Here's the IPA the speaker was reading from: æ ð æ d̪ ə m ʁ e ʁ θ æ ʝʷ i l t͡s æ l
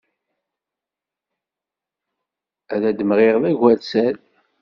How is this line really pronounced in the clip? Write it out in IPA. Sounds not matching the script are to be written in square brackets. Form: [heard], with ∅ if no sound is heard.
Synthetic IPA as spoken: æ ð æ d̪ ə m ʁ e ʁ [ð] æ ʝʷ [æ] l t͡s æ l

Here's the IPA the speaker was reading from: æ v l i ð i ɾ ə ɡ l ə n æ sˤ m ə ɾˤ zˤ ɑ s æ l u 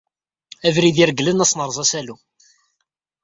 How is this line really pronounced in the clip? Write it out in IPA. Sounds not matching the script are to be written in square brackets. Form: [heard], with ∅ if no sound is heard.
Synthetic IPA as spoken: æ v [ɾ] i ð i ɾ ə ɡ l ə n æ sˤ [n] ə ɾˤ zˤ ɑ s æ l u

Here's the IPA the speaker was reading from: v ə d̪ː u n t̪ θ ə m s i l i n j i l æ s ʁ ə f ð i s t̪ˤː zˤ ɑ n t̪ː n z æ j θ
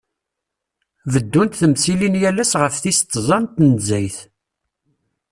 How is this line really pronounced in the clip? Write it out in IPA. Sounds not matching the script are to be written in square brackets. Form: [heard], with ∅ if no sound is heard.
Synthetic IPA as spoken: v ə d̪ː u n t̪ θ ə m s i l i n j [æ] l æ s ʁ ə f [θ] i s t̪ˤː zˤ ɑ n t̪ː n z æ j θ

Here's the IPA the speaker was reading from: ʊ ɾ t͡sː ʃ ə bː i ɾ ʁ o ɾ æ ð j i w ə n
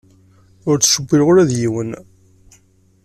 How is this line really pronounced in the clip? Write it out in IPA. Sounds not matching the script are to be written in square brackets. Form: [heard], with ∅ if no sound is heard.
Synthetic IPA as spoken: ʊ ɾ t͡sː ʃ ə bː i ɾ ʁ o ɾ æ ð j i w ə n

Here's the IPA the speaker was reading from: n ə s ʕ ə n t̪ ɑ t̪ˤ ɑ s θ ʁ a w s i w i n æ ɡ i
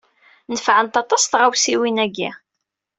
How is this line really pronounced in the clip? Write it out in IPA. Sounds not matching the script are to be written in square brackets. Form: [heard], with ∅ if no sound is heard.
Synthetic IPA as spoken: n ə [f] ʕ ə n t̪ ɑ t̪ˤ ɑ s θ ʁ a w s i w i n æ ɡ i

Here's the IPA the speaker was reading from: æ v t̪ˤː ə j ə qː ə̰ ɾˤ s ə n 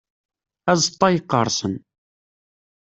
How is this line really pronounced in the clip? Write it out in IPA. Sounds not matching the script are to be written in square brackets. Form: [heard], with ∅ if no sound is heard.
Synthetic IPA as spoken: æ [z] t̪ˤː [ɑ] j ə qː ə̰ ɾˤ s ə n

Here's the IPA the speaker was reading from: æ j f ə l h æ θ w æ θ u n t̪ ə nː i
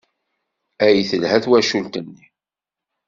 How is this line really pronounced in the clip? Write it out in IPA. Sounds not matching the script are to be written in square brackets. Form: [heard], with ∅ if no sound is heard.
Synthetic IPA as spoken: æ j [θ] ə l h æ θ w æ [ʃ] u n t̪ ə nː i

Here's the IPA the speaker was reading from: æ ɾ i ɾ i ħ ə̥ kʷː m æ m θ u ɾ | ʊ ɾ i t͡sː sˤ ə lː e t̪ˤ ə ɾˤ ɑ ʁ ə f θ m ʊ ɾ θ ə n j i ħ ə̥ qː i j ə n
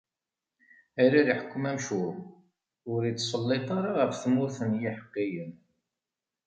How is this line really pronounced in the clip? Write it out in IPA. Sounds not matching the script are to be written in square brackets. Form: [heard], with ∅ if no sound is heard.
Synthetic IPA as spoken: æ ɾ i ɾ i ħ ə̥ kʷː m æ m [ʃ] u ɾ | ʊ ɾ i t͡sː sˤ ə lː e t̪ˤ [ɑ] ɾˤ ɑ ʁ ə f θ m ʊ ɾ θ ə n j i ħ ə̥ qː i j ə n

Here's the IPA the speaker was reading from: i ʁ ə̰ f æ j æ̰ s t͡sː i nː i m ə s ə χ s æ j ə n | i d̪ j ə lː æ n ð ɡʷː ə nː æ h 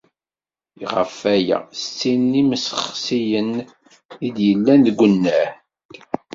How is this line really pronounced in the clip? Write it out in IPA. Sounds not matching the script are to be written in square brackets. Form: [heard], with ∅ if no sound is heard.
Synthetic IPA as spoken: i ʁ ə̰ f æ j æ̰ s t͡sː i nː i m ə s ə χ s [i] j ə n | i d̪ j ə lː æ n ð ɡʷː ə nː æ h

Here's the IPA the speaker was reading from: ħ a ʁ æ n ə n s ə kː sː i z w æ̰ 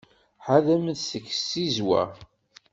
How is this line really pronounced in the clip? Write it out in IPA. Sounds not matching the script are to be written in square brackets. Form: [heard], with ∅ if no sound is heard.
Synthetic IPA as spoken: ħ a [ð] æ [m] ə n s ə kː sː i z w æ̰

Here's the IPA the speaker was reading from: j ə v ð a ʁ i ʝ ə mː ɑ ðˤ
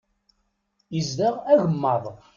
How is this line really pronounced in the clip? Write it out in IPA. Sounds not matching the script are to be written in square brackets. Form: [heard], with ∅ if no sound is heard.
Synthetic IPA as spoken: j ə [z] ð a ʁ [æ] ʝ ə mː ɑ ðˤ

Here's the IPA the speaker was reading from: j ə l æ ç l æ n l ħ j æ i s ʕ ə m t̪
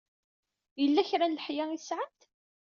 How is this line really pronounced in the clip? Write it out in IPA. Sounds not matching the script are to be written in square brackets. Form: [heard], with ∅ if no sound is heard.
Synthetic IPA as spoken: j ə [lː] æ ç [ɾ] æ n l ħ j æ i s ʕ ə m t̪

